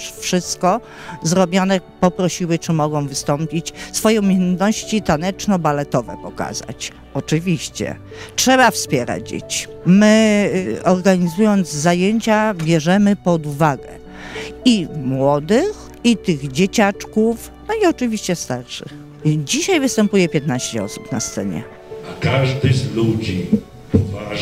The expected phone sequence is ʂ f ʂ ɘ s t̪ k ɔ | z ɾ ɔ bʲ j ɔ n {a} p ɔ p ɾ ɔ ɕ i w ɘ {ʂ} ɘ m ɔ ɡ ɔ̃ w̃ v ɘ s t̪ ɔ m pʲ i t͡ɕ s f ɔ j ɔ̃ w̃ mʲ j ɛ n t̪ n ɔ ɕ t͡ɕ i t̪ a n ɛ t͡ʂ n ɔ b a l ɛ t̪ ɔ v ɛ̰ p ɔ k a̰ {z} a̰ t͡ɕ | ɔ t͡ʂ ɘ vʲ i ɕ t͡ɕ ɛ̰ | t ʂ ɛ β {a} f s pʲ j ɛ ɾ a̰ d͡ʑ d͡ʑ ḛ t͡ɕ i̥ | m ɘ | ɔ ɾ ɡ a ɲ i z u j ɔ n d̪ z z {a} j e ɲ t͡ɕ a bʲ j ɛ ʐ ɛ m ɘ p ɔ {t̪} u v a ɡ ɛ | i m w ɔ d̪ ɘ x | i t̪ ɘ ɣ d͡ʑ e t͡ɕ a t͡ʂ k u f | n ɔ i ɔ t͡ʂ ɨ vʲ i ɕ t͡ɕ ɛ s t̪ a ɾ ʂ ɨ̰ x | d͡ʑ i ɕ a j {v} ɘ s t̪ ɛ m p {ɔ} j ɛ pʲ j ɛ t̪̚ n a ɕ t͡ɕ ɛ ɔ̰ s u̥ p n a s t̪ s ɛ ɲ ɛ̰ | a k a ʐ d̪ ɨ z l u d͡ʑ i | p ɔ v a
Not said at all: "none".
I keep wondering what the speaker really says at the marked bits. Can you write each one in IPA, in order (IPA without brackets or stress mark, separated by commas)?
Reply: ɛ, t͡ʂ, z, a, a, d̪, v, u